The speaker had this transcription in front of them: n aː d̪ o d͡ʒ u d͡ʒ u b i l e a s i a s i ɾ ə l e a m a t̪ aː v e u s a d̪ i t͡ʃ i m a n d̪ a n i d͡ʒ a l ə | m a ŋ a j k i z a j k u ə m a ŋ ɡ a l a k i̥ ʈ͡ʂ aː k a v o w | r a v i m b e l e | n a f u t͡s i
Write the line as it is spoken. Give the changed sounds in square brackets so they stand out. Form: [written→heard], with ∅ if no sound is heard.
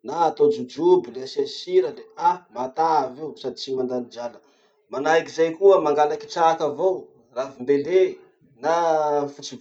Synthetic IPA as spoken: n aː [d̪→t̪] o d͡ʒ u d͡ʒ u b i l e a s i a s i ɾ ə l e a m a t̪ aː v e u s a d̪ i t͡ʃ i m a n d̪ a n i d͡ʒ a l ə | m a [ŋ→n] a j k i z a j k u ə m a ŋ ɡ a l a k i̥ ʈ͡ʂ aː k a v o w | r a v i m b e l e | n a f u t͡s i